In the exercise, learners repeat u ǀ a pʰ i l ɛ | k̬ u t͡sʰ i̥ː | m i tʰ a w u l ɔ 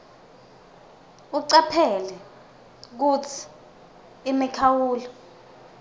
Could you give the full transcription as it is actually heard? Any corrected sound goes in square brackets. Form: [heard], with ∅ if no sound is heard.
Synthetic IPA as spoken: u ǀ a pʰ [ɛ] l ɛ | k̬ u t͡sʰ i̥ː | m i [kʰ] a w [uː] l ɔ